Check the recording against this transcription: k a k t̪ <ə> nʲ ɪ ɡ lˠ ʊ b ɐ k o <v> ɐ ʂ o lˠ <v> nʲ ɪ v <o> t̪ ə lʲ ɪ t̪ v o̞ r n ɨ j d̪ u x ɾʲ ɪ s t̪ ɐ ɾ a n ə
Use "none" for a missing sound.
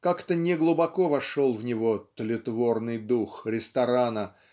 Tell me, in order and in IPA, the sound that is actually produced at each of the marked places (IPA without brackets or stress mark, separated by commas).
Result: ə, v, v, o